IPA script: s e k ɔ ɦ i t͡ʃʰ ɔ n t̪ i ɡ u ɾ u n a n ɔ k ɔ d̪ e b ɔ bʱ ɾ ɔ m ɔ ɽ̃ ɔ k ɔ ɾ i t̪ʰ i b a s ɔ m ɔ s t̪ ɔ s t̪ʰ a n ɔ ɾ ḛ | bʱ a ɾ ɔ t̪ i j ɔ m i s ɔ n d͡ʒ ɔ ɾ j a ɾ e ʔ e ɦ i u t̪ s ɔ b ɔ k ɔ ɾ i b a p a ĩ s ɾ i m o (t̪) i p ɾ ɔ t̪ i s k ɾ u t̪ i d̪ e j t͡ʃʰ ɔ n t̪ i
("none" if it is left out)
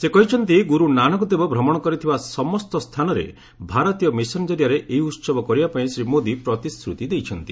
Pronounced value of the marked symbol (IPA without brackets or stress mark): d̪